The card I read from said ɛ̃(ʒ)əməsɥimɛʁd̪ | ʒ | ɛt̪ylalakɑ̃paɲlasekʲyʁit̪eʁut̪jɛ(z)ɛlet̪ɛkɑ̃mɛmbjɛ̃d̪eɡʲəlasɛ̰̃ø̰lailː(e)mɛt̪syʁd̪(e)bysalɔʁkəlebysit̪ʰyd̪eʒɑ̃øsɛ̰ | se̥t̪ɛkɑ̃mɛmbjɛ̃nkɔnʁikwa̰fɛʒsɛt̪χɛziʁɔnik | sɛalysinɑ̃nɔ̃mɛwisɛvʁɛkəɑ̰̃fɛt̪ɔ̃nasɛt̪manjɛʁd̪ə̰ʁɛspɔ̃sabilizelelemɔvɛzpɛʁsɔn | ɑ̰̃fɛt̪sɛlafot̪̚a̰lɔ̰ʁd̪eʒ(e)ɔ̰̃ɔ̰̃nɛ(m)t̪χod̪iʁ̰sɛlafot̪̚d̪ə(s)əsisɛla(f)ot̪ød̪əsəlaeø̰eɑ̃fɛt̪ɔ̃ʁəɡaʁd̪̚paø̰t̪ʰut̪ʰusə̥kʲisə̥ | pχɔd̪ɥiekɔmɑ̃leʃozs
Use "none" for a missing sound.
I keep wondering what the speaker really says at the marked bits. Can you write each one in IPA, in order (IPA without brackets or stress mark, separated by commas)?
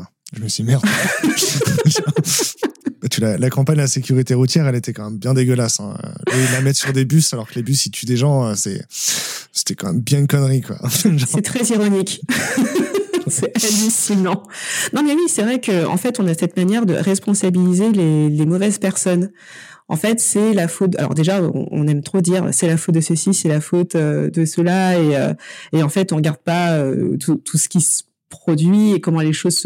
ʒ, ʁ, a, e, a, m, s, f